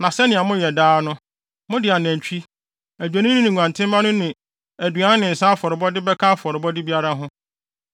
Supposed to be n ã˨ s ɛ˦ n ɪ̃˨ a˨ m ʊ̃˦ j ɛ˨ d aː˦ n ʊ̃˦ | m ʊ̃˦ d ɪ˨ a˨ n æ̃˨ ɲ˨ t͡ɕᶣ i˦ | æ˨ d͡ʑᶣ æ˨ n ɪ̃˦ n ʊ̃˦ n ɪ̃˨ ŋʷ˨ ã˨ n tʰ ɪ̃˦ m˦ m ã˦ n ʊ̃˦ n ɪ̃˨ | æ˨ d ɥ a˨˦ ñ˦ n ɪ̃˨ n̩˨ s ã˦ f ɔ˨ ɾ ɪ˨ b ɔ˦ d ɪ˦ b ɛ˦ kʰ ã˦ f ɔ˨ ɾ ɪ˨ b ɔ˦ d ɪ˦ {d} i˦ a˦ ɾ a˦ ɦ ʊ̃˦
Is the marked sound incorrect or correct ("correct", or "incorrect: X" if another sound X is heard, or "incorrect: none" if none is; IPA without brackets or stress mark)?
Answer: incorrect: b